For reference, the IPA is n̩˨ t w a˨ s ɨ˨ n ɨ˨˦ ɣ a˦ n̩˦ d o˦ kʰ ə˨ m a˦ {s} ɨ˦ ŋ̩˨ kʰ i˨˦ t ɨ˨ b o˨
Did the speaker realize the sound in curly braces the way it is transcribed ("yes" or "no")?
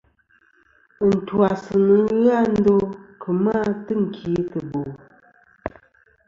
no